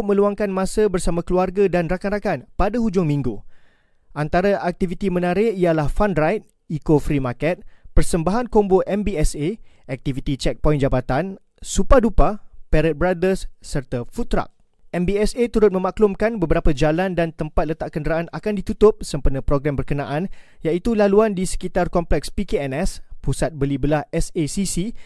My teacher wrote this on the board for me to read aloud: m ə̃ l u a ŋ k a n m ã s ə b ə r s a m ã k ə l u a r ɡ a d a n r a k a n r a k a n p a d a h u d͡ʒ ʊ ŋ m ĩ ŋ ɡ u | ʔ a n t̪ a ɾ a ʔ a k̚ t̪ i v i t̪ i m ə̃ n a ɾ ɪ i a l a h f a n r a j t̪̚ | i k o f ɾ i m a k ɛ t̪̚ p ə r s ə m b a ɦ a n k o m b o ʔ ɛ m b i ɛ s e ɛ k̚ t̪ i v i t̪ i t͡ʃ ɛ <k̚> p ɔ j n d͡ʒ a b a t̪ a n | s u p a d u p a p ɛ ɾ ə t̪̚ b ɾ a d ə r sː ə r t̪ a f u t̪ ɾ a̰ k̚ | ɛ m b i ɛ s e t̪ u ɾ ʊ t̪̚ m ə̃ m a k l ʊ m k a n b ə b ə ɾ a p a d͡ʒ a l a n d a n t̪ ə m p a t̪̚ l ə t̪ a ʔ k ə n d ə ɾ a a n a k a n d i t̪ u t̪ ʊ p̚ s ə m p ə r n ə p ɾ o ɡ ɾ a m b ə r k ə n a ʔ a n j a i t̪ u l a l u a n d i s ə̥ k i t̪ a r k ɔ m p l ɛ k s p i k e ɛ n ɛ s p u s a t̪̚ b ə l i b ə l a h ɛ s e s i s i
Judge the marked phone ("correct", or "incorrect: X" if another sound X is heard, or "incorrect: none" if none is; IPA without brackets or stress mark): correct